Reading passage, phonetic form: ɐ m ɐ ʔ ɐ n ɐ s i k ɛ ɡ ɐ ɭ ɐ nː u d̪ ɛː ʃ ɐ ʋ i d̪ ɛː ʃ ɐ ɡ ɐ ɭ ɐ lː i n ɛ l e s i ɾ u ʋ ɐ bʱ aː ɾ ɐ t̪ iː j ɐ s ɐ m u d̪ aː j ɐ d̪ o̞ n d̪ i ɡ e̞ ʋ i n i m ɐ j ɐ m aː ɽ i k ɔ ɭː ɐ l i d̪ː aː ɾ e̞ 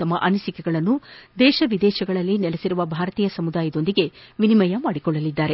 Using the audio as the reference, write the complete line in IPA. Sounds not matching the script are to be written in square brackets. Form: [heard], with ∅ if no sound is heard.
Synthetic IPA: ɐ m ɐ ʔ ɐ n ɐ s i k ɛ ɡ ɐ ɭ ɐ nː u d̪ ɛː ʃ ɐ ʋ i d̪ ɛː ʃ ɐ ɡ ɐ ɭ ɐ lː i n ɛ l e s i ɾ u ʋ ɐ bʱ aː ɾ ɐ t̪ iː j ɐ s ɐ m u d̪ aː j ɐ d̪ o̞ n d̪ i ɡ e̞ ʋ i n i m ɐ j ɐ m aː ɽ i k ɔ ɭː ɐ l i d̪ː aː ɾ e̞